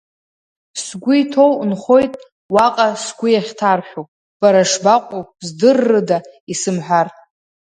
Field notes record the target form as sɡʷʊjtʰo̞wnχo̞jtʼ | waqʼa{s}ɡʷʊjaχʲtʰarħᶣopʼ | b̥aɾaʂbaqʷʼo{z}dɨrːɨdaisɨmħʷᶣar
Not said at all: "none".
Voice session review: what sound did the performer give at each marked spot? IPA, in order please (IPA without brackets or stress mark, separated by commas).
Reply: s, z